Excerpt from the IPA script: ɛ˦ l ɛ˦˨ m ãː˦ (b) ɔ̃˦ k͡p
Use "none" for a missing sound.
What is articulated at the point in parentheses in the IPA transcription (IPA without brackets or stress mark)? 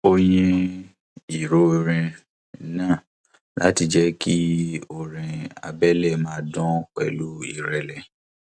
d